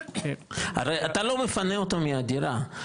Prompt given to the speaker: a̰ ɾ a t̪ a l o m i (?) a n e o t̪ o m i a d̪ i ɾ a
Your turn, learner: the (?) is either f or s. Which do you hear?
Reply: f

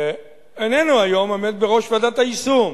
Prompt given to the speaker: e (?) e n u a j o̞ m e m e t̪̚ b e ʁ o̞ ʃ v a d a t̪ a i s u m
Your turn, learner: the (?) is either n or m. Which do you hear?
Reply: n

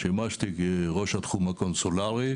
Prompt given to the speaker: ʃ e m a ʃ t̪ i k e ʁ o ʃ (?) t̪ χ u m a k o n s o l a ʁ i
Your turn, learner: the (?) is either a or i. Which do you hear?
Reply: a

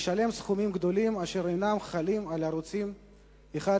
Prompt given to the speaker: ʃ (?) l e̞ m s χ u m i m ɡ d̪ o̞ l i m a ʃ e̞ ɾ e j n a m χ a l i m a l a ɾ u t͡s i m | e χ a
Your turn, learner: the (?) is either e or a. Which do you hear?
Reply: a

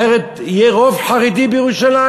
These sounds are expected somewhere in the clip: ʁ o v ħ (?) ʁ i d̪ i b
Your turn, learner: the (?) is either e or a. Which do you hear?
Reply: a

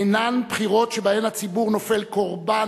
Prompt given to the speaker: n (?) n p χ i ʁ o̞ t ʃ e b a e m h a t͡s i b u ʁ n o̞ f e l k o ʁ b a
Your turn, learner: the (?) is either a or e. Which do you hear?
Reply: a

